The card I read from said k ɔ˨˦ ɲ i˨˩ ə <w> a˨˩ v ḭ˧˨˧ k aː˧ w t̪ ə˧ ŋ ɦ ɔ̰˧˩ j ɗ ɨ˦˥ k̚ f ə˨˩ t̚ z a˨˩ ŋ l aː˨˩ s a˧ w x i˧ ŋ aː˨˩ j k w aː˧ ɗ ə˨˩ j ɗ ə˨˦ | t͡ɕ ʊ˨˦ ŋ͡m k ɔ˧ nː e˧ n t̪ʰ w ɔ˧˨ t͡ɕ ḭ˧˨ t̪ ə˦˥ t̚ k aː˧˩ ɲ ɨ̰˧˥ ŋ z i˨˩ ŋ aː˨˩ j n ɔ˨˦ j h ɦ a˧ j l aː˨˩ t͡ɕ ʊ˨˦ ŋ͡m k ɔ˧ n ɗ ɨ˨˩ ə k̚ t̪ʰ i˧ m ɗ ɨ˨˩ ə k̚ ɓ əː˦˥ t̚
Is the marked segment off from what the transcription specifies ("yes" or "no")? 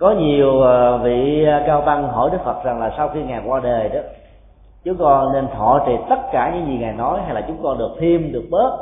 no